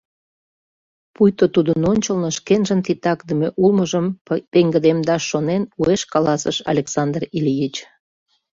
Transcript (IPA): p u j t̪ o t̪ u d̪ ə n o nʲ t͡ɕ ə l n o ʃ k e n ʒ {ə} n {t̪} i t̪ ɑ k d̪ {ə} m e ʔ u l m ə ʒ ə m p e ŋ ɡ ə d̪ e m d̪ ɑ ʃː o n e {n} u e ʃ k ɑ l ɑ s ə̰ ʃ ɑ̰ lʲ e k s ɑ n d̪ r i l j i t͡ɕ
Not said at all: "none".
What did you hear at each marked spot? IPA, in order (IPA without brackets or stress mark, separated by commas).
ə, t̪, ə, n